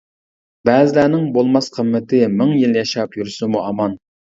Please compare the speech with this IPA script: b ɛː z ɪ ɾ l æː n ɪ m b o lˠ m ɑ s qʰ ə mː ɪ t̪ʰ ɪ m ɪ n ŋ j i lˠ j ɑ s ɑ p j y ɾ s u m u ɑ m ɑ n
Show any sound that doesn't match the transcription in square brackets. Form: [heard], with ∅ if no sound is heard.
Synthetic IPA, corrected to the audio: b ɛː z ɪ [∅] l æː n ɪ [ŋ] b o lˠ m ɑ s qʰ ə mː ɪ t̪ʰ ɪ m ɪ [∅] ŋ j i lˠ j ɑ [ʃ] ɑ p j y ɾ s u m u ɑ m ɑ n

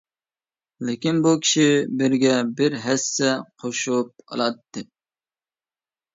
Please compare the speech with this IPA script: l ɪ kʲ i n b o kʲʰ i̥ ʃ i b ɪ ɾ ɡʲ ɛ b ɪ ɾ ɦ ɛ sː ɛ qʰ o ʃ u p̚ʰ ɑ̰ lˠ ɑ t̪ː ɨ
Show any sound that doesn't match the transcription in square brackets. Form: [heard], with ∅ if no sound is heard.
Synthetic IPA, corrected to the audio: l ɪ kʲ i n b [u] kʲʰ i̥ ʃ i b ɪ ɾ ɡʲ ɛ b ɪ ɾ ɦ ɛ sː ɛ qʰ o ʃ u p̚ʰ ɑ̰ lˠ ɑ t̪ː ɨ

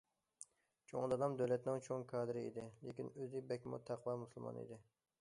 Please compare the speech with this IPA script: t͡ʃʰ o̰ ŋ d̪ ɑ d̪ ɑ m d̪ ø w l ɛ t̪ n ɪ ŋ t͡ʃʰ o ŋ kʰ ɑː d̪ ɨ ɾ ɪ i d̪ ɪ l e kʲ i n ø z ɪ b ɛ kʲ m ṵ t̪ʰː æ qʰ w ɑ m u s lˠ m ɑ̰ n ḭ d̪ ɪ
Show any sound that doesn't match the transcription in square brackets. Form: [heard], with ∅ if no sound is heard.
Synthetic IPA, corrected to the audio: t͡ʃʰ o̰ ŋ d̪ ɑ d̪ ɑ m d̪ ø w l ɛ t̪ n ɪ ŋ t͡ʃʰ o ŋ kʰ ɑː d̪ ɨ ɾ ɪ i d̪ ɪ l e kʲ i n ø z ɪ b ɛ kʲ m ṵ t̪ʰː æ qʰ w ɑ m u s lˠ m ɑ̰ n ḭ d̪ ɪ

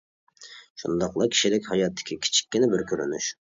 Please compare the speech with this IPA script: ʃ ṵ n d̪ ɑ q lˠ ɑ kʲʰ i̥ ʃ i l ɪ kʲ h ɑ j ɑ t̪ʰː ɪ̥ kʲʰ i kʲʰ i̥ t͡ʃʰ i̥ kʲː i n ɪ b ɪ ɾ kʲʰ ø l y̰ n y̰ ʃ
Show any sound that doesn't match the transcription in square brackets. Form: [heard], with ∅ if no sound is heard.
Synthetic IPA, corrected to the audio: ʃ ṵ n d̪ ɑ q lˠ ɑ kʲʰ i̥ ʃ i l ɪ kʲ h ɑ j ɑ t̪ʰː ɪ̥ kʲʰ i kʲʰ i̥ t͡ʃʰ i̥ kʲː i n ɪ b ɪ ɾ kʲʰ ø [ɾ] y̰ n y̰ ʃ

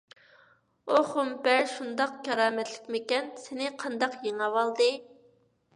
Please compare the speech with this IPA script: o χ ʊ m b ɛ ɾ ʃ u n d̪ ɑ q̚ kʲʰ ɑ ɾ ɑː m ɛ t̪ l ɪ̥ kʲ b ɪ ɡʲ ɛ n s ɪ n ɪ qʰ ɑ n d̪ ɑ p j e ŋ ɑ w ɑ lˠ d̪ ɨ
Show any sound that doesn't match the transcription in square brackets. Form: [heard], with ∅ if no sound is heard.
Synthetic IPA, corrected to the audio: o χ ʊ m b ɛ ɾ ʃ u n d̪ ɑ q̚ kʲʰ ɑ ɾ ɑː m ɛ t̪ l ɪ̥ kʲ [m] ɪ [kʲ] ɛ n s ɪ n ɪ qʰ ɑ n d̪ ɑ [q] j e ŋ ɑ w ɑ lˠ d̪ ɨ

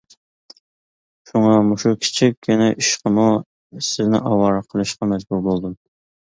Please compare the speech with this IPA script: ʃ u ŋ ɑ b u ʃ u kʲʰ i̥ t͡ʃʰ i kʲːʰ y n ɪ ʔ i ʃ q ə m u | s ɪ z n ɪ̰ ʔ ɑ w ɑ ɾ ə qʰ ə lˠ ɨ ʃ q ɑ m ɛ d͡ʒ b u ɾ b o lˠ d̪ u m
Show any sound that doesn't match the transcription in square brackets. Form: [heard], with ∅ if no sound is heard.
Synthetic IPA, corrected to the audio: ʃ u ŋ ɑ [m] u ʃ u kʲʰ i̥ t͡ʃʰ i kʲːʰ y n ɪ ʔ i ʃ q ə m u | s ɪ z n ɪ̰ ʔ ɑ w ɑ ɾ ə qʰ ə lˠ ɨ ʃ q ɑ m ɛ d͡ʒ b u ɾ b o lˠ d̪ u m

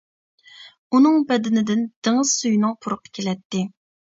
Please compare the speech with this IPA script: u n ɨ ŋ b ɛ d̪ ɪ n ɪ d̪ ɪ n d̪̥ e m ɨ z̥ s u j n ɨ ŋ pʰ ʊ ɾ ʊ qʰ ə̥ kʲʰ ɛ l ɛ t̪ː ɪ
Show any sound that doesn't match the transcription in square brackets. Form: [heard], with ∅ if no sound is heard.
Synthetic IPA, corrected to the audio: u n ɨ ŋ b ɛ d̪ ɪ n ɪ d̪ ɪ n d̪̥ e [ŋ] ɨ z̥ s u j n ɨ ŋ pʰ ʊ ɾ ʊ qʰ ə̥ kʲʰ [e] l ɛ t̪ː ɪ

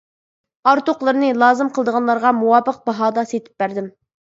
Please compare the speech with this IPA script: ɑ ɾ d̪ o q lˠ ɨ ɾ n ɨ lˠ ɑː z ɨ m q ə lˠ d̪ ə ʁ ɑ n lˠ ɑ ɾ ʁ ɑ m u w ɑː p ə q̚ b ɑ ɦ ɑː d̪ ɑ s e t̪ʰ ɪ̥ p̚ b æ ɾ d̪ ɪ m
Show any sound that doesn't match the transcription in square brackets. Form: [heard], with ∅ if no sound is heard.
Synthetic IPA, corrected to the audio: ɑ ɾ [t̪] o q lˠ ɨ ɾ n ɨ lˠ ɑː z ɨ m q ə lˠ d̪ ə ʁ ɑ n lˠ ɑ ɾ ʁ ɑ m u w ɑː p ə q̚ b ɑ ɦ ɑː d̪ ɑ s e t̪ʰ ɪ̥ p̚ b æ ɾ d̪ ɪ m

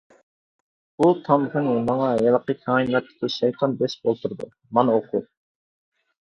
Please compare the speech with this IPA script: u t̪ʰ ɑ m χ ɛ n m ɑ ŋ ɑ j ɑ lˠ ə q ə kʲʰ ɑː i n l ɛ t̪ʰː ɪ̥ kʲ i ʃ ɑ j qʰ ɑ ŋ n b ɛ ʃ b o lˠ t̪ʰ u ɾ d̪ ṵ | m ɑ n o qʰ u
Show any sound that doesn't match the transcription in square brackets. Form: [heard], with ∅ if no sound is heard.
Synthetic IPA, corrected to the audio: u t̪ʰ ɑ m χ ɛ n m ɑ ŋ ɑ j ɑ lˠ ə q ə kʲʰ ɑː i n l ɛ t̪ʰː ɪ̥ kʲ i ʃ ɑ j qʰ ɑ [∅] n b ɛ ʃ b o lˠ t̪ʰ u ɾ d̪ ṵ | m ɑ n o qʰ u

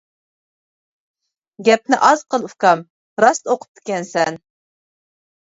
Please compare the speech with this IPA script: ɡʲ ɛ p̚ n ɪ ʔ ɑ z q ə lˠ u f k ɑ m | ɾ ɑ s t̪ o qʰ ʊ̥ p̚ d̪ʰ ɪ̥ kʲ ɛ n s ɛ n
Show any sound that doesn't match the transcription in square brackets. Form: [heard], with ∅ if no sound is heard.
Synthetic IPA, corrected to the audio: ɡʲ ɛ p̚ n ɪ ʔ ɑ z q ə lˠ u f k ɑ m | ɾ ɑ s t̪ o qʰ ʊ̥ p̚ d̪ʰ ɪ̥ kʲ ɛ n s ɛ n

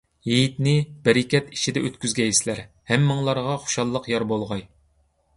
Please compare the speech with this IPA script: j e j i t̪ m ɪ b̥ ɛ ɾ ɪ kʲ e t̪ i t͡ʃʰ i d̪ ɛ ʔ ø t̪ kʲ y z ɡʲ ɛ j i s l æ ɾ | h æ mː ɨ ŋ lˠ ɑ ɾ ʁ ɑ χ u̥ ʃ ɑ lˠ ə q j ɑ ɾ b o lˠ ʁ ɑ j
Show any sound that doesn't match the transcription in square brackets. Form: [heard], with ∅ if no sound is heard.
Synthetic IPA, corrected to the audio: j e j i t̪ [n] ɪ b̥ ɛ ɾ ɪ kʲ [ɛ] t̪ i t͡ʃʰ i d̪ ɛ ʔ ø t̪ kʲ y z ɡʲ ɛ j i s l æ ɾ | h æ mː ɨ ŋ lˠ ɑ ɾ ʁ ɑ χ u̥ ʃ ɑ [lˠː] ə q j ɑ ɾ b o lˠ ʁ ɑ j

